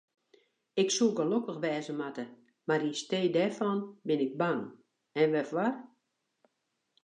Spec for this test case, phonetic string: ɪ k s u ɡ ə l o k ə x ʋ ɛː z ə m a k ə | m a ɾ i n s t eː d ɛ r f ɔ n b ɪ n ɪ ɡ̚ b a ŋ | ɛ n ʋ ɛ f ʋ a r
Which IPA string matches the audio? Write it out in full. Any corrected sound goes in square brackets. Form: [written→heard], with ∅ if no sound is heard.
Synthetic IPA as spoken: ɪ k s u ɡ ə l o k ə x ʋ ɛː z ə m a [k→t] ə | m a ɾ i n s t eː d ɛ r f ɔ n b ɪ n ɪ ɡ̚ b a ŋ | ɛ n ʋ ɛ f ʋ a r